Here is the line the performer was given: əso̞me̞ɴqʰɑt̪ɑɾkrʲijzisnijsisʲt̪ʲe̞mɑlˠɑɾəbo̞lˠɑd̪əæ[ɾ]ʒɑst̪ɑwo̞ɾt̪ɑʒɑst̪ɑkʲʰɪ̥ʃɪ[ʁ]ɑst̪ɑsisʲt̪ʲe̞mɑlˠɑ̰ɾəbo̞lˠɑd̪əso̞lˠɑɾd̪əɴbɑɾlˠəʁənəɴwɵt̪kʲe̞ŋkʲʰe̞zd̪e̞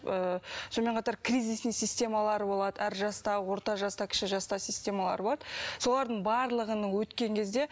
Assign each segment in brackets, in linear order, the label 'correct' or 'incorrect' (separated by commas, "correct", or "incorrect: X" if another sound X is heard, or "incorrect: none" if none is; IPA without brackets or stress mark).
correct, incorrect: ʒ